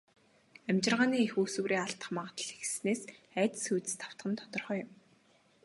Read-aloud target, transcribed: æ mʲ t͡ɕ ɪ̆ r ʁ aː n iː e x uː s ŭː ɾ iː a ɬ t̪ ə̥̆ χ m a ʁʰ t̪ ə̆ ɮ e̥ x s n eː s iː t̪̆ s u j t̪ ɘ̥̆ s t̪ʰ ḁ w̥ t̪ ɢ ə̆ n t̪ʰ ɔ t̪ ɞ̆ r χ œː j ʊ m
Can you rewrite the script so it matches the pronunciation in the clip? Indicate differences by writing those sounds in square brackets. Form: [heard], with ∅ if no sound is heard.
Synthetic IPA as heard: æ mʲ t͡ɕ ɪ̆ r ʁ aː n iː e x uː s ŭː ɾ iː a ɬ t̪ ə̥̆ χ m a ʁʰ t̪ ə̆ ɮ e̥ x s n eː s [æː] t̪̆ s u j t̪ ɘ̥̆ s t̪ʰ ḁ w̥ t̪ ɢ ə̆ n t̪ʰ ɔ t̪ ɞ̆ r χ œː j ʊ m

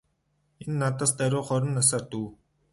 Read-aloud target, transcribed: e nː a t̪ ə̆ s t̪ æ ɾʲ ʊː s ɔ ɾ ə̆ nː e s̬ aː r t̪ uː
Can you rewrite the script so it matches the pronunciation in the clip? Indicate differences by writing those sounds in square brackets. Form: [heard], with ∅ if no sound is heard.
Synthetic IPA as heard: e nː a t̪ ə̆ s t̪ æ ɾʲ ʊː [χ] ɔ ɾ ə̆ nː [a] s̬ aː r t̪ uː

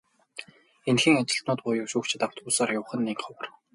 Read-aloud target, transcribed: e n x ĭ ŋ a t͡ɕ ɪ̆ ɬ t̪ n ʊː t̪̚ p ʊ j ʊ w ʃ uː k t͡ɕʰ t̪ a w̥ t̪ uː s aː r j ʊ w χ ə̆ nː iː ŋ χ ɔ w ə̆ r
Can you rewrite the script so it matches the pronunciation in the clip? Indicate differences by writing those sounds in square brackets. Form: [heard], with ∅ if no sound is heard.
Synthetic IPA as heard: e n x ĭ ŋ a t͡ɕ ɪ̆ ɬ t̪ n ʊː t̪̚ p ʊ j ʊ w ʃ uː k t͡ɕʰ t̪ a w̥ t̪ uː s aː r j ʊ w χ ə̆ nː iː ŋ χ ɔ w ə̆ r

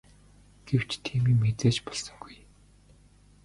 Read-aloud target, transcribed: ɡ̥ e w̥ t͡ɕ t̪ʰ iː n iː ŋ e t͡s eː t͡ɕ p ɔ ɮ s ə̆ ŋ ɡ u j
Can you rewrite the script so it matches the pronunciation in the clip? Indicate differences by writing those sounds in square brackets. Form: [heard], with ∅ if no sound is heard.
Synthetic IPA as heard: ɡ̥ e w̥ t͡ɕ t̪ʰ iː [m] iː [m] e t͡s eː t͡ɕ p ɔ ɮ s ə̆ ŋ ɡ u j

